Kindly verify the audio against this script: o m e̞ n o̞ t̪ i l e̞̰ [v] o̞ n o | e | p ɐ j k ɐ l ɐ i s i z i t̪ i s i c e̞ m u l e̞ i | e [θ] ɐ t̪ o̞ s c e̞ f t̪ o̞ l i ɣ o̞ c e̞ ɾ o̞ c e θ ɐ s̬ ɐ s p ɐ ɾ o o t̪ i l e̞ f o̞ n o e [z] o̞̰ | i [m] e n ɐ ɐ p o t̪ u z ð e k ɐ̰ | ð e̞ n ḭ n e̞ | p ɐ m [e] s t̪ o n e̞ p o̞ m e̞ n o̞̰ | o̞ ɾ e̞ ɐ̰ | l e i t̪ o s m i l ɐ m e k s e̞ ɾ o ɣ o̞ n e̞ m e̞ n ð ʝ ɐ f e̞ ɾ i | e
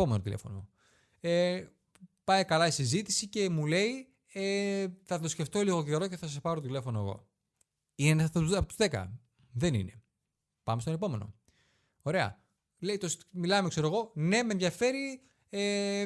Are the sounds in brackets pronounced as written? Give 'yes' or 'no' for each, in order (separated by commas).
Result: no, yes, no, no, yes